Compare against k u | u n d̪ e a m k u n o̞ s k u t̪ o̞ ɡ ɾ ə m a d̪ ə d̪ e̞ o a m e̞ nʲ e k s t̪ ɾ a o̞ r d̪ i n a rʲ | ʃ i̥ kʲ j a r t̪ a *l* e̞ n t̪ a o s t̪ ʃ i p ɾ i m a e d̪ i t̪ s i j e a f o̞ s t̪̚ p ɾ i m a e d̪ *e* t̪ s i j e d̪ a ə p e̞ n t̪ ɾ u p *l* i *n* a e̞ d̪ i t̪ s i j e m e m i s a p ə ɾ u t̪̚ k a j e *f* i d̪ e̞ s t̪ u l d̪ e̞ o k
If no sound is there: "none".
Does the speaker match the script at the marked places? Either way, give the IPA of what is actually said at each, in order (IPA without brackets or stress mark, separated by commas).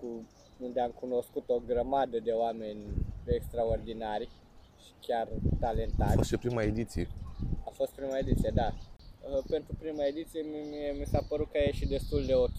l, i, ɾ, m, ʃ